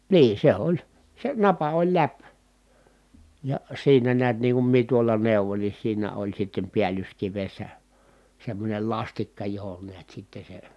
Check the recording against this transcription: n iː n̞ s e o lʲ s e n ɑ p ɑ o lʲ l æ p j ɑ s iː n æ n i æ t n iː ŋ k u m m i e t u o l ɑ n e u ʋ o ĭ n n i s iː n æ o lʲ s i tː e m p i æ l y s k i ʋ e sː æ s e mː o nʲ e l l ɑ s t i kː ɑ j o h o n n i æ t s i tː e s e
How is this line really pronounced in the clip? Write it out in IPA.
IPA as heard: n iː n̞ s e o lʲ s e n ɑ p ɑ o lʲ l æ p j ɑ s iː n æ n i æ t n iː ŋ k u m m i e t u o l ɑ n e u ʋ o ĭ n n i s iː n æ o lʲ s i tː e m p i æ l y s k i ʋ e sː æ s e mː o nʲ e l l ɑ s t i kː ɑ j o h o n n i æ t s i tː e s e